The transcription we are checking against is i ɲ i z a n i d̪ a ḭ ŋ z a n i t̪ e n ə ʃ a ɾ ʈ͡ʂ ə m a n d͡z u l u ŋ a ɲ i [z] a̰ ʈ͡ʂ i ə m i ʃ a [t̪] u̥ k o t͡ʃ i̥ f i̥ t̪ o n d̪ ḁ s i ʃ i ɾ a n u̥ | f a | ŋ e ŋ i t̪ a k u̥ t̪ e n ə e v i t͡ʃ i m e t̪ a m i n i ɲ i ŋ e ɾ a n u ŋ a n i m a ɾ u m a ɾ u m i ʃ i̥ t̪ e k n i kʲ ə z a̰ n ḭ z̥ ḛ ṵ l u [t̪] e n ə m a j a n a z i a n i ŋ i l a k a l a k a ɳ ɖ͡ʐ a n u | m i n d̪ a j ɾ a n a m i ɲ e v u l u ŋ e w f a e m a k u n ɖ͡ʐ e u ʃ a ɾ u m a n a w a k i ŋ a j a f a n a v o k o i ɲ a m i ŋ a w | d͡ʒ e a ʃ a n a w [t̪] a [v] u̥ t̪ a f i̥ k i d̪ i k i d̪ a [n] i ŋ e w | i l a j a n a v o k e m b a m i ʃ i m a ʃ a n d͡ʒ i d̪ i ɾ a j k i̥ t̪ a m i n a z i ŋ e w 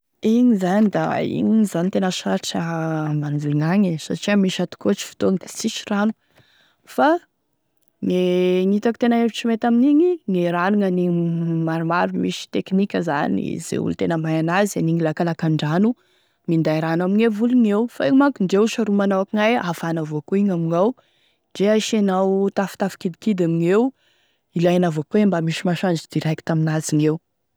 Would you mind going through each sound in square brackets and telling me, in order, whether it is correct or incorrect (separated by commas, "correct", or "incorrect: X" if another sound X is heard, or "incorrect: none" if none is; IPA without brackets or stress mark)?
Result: incorrect: s, correct, correct, correct, incorrect: f, incorrect: m